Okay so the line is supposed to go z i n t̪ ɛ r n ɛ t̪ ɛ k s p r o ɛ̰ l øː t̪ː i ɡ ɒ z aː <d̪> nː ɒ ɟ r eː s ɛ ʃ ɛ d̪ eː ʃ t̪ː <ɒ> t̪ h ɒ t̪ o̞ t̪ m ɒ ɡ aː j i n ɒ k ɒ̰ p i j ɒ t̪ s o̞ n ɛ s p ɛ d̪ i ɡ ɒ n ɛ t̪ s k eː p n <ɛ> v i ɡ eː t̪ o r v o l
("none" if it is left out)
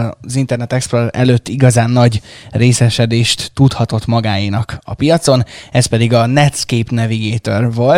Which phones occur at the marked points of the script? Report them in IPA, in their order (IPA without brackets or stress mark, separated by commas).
none, u, ɛ